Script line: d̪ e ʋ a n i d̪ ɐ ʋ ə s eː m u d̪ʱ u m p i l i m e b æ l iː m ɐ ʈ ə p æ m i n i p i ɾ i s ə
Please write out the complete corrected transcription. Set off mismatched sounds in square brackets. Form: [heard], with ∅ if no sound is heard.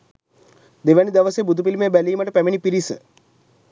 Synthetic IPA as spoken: d̪ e ʋ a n i d̪ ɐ ʋ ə s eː [b] u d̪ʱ u [∅] p i l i m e b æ l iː m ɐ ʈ ə p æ m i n i p i ɾ i s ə